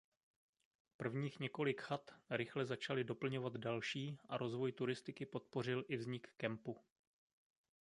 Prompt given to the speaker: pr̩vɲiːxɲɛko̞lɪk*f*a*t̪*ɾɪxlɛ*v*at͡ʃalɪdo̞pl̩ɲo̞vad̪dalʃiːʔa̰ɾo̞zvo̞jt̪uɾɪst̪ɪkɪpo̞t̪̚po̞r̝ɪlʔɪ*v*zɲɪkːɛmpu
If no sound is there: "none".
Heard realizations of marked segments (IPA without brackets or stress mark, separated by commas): x, t̪, z, v